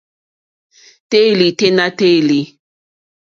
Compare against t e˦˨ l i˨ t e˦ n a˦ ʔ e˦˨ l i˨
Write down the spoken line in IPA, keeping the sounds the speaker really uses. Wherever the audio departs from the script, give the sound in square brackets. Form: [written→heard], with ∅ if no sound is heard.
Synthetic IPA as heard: t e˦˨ l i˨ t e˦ n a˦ [ʔ→t] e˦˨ l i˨

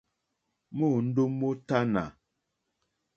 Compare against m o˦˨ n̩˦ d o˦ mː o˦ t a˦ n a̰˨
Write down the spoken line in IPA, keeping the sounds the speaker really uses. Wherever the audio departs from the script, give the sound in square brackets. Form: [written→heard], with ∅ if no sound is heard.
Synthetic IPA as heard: m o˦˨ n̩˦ d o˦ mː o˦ t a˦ n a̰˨

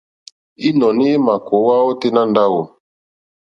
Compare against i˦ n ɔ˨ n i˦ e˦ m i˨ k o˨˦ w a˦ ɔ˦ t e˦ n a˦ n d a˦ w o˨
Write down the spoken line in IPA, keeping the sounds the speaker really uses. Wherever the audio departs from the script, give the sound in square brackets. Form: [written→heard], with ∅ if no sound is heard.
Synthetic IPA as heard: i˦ n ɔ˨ n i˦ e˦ m [i˨→a˨] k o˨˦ w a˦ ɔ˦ t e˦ n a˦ n d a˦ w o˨

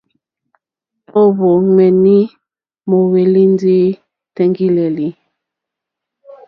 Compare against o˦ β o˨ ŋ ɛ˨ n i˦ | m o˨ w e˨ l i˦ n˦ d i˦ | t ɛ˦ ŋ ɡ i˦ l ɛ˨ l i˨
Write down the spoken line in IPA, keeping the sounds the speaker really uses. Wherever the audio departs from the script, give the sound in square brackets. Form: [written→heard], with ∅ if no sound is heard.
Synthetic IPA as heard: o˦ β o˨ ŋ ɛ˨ n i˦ | m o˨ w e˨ l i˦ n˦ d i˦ | t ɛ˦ ŋ ɡ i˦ l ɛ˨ l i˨

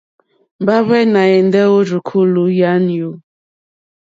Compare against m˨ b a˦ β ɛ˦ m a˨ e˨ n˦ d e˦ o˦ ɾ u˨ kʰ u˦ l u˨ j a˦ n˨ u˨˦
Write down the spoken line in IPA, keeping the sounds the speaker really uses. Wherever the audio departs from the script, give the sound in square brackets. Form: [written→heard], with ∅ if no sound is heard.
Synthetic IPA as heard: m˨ b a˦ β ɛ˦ [m→n] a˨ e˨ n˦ d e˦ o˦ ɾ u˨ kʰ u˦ l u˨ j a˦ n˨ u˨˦

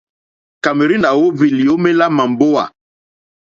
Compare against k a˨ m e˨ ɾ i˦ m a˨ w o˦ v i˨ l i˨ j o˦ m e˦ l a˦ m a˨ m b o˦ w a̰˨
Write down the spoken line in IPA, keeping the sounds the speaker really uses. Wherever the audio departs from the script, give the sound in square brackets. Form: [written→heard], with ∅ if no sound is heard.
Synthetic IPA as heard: k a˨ m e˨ ɾ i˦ [m→n] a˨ w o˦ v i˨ l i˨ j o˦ m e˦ l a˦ m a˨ m b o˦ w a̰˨

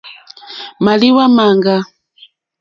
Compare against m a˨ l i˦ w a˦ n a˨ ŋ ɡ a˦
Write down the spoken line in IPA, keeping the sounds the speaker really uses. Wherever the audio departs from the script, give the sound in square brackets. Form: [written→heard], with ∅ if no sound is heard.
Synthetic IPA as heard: m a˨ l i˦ w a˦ [n→m] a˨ ŋ ɡ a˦

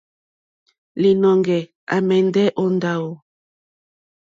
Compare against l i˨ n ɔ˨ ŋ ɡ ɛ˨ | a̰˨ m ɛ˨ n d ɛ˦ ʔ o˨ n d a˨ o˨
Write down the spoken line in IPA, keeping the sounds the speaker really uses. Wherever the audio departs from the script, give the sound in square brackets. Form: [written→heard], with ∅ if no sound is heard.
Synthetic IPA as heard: l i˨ n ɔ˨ ŋ ɡ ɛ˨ | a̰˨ m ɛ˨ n d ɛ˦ ʔ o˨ n d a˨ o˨

